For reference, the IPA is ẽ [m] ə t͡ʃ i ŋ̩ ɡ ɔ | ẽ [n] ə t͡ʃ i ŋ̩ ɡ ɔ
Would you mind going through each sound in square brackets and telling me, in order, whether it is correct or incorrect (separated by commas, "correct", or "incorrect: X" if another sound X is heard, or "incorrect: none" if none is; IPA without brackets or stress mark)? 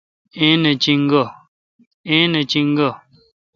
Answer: incorrect: n, correct